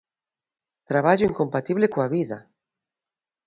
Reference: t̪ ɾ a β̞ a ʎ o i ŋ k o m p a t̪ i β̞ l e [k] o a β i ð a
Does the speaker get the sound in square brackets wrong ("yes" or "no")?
no